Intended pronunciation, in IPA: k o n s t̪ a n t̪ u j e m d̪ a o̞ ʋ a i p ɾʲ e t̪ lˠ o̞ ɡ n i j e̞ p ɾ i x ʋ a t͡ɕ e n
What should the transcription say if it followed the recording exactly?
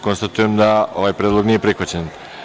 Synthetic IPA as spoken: k o n s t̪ a t̪ u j e m d̪ a o̞ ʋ a j p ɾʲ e d̪ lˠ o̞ ɡ n i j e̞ p ɾ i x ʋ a t͡ɕ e n